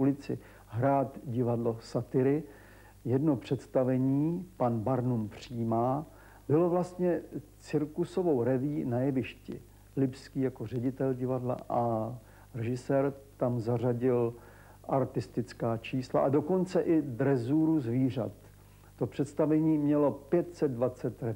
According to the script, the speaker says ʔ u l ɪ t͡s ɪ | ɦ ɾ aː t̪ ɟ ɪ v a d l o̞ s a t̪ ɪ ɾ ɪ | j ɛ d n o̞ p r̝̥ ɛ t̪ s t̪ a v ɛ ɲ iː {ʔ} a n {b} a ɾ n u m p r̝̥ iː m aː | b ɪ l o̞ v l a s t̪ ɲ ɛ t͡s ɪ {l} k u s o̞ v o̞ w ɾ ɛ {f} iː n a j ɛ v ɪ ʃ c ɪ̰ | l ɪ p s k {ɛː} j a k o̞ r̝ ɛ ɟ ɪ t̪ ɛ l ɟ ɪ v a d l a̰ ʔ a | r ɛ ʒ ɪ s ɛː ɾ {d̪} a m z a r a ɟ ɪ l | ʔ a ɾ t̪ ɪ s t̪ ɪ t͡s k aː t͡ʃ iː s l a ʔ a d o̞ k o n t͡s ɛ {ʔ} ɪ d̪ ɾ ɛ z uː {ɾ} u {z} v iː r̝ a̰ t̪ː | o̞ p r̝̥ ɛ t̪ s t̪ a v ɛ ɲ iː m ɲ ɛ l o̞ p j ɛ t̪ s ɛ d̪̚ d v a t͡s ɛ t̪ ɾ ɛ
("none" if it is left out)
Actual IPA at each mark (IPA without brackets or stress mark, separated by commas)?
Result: p, b, ɾ, v, iː, t̪, ʔ, ɾ, z